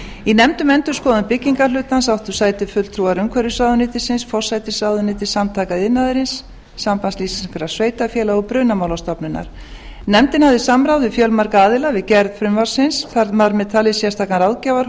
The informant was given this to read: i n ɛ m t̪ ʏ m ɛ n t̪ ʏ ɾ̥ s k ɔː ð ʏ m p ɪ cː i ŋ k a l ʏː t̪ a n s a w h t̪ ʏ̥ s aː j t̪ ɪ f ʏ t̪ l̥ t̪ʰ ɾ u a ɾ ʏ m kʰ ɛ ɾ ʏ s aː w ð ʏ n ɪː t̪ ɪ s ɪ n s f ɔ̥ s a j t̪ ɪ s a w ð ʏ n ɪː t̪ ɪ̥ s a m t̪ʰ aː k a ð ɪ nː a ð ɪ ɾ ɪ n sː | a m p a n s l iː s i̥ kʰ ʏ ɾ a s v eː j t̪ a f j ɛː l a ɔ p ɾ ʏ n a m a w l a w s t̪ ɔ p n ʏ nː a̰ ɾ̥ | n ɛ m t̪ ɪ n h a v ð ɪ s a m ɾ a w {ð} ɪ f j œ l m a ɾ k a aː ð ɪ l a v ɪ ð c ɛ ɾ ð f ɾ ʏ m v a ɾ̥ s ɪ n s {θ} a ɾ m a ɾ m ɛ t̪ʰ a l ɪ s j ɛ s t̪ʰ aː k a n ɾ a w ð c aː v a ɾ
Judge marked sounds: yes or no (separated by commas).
yes, yes